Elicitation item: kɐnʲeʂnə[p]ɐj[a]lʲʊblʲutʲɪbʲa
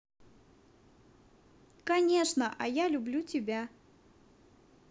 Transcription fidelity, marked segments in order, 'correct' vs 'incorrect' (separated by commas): incorrect, correct